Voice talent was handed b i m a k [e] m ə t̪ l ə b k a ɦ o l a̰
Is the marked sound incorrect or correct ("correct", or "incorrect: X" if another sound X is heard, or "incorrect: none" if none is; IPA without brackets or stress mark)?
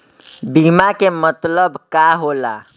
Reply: correct